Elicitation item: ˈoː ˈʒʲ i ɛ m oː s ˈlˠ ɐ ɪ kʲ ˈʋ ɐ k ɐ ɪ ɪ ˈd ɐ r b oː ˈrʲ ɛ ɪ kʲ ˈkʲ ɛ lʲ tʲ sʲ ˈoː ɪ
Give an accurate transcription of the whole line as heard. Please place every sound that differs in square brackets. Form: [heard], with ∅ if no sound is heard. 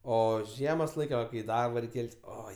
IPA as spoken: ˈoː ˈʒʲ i ɛ m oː s ˈlˠ ɐ ɪ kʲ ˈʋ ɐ k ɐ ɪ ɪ ˈd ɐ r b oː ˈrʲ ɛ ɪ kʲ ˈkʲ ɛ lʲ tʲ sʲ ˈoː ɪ

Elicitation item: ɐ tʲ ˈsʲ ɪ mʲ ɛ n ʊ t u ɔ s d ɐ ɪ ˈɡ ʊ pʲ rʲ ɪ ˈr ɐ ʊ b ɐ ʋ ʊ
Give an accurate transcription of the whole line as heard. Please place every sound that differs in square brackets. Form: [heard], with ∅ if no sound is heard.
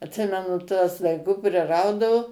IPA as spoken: ɐ tʲ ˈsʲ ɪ mʲ ɛ n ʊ t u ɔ s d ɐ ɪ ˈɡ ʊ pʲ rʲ ɪ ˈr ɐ ʊ [d] ɐ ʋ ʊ

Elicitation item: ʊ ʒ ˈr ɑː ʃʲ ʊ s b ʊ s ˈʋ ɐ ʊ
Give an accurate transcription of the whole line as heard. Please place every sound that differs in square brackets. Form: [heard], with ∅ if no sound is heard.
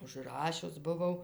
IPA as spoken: ʊ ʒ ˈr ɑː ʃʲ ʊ s b ʊ [∅] ˈʋ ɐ ʊ

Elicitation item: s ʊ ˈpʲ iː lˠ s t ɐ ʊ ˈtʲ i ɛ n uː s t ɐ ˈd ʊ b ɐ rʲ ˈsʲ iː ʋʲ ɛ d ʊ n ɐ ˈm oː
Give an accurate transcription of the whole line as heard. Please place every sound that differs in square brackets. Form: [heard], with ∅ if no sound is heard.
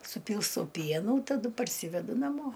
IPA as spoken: s ʊ ˈpʲ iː lˠ s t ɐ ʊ [ˈpʲ] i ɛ n uː [∅] t ɐ ˈd ʊ [p] ɐ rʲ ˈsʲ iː ʋʲ ɛ d ʊ n ɐ ˈm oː

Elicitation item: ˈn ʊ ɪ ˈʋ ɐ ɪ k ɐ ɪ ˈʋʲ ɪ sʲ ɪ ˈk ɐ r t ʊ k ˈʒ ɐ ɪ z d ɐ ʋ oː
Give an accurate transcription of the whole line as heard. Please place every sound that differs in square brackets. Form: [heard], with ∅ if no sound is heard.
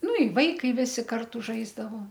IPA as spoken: ˈn ʊ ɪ ˈʋ ɐ ɪ k ɐ ɪ ˈʋʲ ɪ sʲ ɪ ˈk ɐ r t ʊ [∅] ˈʒ ɐ ɪ z d ɐ ʋ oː

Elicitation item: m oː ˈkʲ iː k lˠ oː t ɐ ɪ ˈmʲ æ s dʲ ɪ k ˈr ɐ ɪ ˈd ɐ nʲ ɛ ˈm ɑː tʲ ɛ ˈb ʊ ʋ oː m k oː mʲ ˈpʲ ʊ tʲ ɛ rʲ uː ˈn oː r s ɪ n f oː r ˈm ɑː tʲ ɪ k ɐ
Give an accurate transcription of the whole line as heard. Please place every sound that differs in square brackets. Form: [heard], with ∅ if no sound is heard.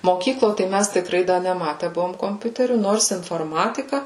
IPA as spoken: m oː ˈkʲ iː k lˠ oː t ɐ ɪ ˈmʲ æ s [tʲ] ɪ k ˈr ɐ ɪ ˈd ɐ nʲ ɛ ˈm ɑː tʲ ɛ ˈb ʊ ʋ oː m k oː mʲ ˈpʲ ʊ tʲ ɛ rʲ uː ˈn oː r s ɪ n f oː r ˈm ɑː tʲ ɪ k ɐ

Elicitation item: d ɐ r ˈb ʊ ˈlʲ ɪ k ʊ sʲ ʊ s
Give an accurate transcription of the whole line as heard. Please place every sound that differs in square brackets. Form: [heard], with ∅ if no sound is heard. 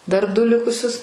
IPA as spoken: d ɐ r [ˈd] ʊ ˈlʲ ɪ k ʊ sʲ ʊ s

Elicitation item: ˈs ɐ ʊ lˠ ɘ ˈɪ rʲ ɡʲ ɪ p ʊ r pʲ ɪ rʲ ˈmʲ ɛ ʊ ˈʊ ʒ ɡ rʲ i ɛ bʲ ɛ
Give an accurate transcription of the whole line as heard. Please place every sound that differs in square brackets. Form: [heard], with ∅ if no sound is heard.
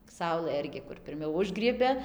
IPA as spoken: ˈs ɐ ʊ lˠ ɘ ˈɪ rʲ ɡʲ ɪ [k] ʊ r pʲ ɪ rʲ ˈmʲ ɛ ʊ ˈʊ ʒ ɡ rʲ i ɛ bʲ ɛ

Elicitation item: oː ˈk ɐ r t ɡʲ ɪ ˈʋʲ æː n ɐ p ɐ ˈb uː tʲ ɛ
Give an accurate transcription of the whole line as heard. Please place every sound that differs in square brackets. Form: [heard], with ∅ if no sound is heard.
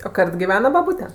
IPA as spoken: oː ˈk ɐ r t ɡʲ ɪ ˈʋʲ æː n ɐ [b] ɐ ˈb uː tʲ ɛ

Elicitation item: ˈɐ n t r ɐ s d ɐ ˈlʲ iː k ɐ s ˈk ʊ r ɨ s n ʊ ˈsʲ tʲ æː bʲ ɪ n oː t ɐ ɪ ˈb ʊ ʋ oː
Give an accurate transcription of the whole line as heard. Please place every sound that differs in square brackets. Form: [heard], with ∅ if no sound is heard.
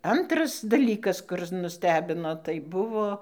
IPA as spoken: ˈɐ n t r ɐ s d ɐ ˈlʲ iː k ɐ s ˈk ʊ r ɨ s n ʊ ˈsʲ tʲ æː bʲ ɪ n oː t ɐ ɪ ˈb ʊ ʋ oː

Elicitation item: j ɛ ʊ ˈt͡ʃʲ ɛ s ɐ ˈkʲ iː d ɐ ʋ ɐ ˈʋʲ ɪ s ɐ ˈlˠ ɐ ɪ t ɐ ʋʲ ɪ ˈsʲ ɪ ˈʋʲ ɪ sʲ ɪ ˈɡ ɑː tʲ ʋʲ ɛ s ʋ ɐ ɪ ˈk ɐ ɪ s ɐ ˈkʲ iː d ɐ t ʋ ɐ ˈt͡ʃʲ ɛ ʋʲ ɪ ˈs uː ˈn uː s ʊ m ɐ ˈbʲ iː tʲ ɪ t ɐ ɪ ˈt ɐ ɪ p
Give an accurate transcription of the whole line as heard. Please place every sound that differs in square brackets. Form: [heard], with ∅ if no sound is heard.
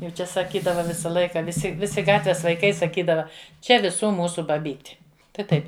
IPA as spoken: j ɛ ʊ ˈt͡ʃʲ ɛ s ɐ ˈkʲ iː d ɐ ʋ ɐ ˈʋʲ ɪ s ɐ ˈlˠ ɐ ɪ [k] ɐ ʋʲ ɪ ˈsʲ ɪ ˈʋʲ ɪ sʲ ɪ ˈɡ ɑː tʲ ʋʲ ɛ s ʋ ɐ ɪ ˈk ɐ ɪ s ɐ ˈkʲ iː d ɐ [∅] ʋ ɐ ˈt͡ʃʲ ɛ ʋʲ ɪ ˈs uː [ˈm] uː s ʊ [b] ɐ ˈbʲ iː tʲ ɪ t ɐ ɪ ˈt ɐ ɪ p

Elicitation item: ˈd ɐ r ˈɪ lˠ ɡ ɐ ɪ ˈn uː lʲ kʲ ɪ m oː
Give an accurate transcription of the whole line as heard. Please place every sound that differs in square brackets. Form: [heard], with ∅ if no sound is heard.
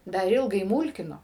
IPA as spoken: ˈd ɐ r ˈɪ lˠ ɡ ɐ ɪ [ˈm] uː lʲ kʲ ɪ [n] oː

